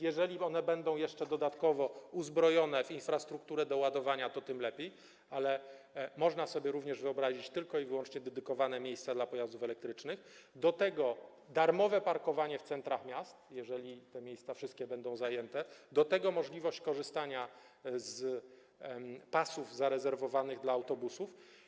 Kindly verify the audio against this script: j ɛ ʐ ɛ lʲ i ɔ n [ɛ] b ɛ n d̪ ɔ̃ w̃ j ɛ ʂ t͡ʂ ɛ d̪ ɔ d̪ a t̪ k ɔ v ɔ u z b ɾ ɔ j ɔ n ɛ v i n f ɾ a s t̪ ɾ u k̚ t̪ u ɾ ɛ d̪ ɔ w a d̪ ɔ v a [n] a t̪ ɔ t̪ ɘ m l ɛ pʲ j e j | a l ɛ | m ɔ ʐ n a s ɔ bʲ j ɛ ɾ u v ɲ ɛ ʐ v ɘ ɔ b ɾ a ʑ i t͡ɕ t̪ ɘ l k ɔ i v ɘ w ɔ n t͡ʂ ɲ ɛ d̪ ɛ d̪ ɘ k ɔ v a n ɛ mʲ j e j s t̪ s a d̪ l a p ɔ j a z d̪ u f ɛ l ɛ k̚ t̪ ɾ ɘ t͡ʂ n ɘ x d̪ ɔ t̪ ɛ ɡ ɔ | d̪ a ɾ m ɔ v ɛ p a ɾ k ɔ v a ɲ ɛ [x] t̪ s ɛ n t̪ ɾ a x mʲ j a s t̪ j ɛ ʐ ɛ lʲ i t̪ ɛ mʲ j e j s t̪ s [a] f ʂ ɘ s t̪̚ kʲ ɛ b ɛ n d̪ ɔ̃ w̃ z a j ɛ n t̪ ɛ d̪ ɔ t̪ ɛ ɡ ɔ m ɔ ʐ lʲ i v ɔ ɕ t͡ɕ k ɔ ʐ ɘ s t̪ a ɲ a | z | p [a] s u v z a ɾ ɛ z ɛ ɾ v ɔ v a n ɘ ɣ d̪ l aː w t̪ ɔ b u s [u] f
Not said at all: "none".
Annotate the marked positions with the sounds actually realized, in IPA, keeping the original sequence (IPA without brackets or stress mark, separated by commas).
ɛ, ɲ, f, a, a, u